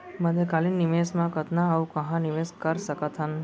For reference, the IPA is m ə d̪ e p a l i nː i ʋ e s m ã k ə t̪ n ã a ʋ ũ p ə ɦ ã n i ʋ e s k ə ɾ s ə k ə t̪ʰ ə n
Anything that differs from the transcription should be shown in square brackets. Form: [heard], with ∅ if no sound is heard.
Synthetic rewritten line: m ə d̪ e [k] a l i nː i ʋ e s m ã k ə t̪ n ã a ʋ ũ [k] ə ɦ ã n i ʋ e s k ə ɾ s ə k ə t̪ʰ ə n